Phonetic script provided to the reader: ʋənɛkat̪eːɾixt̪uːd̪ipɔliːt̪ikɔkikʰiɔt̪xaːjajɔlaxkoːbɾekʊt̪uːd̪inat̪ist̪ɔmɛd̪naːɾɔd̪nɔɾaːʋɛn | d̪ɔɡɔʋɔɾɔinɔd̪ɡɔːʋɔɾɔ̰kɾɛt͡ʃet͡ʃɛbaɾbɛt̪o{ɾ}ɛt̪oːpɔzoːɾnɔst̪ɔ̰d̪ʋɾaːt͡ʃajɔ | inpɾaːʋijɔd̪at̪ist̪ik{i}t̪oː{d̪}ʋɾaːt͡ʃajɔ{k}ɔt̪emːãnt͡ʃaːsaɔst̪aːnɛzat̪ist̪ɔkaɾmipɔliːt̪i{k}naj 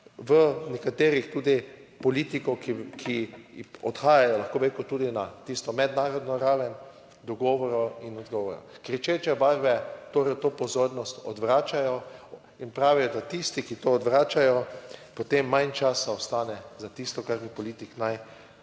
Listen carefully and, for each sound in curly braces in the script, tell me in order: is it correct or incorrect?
correct, correct, correct, incorrect: p, correct

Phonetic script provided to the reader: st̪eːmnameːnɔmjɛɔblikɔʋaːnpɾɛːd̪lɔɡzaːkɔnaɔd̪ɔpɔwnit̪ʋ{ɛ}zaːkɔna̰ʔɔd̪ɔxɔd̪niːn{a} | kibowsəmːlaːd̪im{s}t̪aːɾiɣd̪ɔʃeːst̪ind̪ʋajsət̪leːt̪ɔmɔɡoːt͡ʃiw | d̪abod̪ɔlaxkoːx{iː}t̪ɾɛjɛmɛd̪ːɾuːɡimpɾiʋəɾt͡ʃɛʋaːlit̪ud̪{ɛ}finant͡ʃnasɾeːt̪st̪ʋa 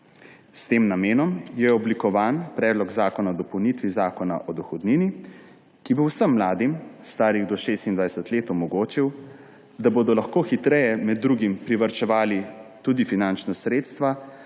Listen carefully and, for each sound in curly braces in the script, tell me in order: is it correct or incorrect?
incorrect: i, incorrect: i, correct, incorrect: i, incorrect: i

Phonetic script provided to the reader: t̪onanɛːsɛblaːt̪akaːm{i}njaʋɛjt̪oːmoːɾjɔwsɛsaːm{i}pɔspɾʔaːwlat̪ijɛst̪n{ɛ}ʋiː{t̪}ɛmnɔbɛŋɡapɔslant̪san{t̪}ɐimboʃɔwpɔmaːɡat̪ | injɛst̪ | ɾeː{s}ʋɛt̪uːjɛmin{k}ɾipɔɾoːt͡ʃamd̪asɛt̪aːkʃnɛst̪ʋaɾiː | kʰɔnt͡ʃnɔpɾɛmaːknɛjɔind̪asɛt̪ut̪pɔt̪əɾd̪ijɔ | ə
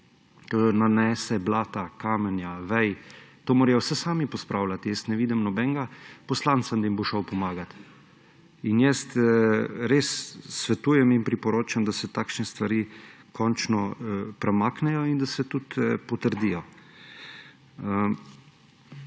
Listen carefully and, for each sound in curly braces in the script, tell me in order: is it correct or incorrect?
incorrect: ɛ, correct, correct, incorrect: d̪, incorrect: d̪, incorrect: sː, incorrect: p

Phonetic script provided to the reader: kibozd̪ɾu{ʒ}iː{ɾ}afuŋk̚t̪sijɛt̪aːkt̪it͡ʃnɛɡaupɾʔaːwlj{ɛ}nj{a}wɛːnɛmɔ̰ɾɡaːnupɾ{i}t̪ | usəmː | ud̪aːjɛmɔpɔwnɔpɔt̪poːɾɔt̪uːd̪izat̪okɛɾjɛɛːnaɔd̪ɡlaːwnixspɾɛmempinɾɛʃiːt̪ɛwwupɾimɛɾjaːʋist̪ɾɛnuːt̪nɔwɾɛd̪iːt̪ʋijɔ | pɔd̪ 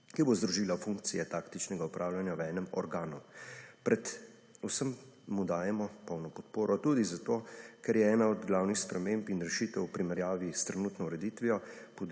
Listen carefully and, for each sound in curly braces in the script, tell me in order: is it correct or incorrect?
correct, incorrect: l, incorrect: a, correct, incorrect: ɛ

